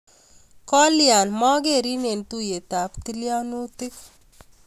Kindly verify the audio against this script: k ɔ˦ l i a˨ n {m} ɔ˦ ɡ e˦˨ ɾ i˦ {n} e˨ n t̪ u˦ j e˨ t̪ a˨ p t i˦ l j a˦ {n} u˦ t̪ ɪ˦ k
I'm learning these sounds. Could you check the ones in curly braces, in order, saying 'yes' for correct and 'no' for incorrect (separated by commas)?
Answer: yes, yes, yes